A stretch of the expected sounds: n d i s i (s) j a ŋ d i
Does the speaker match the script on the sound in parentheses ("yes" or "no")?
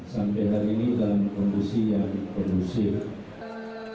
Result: no